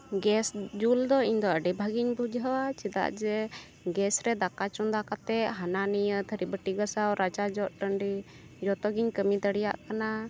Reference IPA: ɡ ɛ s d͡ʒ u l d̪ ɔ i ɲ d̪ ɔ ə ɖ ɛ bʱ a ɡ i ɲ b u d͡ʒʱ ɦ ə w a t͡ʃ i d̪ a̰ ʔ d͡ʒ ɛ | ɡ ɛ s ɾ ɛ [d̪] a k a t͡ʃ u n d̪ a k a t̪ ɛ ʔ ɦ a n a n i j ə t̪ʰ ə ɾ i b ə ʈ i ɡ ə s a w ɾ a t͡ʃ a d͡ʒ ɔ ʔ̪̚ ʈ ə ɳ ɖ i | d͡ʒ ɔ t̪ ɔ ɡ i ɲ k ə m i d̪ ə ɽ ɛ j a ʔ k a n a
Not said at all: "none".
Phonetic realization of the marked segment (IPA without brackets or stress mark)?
d̪